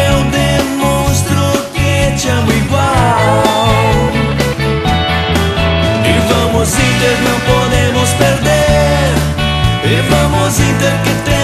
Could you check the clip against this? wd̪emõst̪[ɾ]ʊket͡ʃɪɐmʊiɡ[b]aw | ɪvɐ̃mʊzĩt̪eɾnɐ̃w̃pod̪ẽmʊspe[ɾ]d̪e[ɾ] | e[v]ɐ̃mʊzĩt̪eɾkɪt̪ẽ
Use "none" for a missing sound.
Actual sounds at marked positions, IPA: ɾ, w, ɾ, ɾ, v

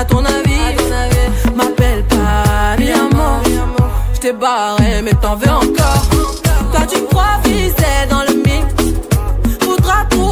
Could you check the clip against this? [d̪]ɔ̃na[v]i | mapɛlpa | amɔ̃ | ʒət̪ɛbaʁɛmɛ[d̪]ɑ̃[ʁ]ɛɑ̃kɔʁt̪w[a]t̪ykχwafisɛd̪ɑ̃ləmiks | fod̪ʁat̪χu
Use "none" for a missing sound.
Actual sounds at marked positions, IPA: t̪, v, t̪, v, a

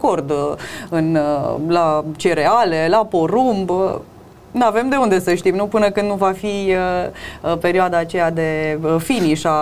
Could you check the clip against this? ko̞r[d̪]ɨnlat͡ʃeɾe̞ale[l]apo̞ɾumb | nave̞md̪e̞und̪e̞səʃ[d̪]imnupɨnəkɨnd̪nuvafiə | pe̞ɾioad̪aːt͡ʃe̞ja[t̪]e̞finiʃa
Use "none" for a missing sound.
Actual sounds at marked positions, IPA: d̪, l, t̪, d̪

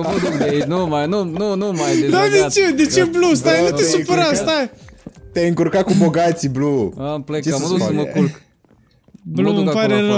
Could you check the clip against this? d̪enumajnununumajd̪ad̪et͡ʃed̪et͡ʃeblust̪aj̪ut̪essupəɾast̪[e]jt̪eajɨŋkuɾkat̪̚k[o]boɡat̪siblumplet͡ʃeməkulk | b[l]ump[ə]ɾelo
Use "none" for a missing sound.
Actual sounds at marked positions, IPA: a, u, l, a

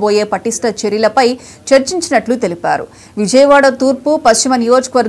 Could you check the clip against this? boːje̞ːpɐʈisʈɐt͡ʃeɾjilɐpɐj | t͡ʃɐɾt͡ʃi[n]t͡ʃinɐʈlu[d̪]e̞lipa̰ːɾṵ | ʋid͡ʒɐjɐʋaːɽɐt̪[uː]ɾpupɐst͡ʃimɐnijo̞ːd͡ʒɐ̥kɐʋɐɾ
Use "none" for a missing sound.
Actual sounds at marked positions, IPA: ɲ, t̪, uː

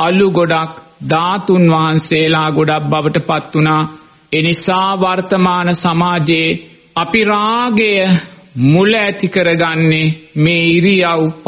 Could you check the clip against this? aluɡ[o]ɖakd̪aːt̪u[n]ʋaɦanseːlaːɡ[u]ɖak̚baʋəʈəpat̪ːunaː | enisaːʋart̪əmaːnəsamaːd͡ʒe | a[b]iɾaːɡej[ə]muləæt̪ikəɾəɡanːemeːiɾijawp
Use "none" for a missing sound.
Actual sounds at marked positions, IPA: o, n, o, p, ə

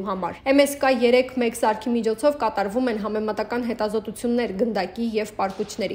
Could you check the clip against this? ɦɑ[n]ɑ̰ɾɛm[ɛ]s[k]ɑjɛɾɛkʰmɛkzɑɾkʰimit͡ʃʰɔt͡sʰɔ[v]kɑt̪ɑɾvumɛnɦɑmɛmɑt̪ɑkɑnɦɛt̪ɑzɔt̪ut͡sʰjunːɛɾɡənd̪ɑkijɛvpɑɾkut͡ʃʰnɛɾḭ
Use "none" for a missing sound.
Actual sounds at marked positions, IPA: m, ɛ, k, v

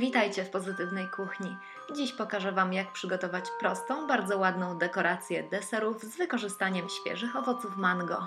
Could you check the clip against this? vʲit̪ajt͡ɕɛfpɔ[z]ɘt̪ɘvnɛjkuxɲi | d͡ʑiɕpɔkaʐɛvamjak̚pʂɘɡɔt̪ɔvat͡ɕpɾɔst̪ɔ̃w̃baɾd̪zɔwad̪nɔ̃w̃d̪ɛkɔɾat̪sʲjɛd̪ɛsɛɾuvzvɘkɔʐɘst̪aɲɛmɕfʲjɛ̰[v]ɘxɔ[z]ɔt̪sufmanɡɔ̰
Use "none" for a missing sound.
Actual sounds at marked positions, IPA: z, ʐ, v

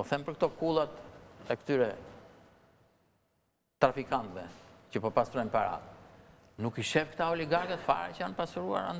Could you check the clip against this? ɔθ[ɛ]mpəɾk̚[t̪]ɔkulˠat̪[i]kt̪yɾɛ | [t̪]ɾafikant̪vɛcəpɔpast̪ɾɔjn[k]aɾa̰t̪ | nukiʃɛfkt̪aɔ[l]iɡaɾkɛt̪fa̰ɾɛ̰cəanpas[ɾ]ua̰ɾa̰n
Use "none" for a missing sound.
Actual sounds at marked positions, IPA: ɛ, t̪, ɛ, t̪, p, l, ɾ

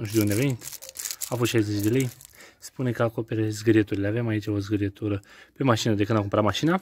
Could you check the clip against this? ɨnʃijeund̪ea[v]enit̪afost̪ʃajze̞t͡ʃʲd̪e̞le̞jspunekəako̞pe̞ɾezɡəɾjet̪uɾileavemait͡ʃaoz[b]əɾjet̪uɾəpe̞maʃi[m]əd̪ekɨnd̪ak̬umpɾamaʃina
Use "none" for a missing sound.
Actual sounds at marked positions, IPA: v, ɡ, n

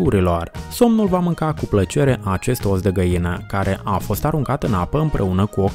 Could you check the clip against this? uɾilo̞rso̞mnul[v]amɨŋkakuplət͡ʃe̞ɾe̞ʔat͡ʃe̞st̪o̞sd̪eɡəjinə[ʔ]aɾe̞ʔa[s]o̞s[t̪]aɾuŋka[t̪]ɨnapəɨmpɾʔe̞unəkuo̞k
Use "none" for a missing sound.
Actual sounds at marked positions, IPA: v, k, f, t̪, t̪

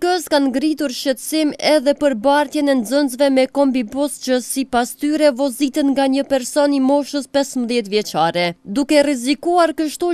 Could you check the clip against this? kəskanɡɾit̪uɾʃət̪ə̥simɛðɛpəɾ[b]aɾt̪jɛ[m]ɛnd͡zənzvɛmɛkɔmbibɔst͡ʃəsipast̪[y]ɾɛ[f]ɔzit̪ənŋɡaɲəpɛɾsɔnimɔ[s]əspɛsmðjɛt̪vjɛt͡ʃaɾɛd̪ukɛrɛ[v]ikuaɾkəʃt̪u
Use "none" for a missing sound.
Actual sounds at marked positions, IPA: b, n, y, v, ʃ, z

